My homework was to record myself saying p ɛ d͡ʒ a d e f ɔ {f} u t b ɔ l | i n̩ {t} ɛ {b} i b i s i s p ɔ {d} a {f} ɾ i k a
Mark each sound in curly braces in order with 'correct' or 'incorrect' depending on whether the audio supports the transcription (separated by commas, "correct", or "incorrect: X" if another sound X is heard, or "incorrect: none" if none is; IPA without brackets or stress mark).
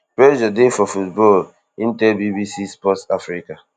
correct, correct, correct, incorrect: t, correct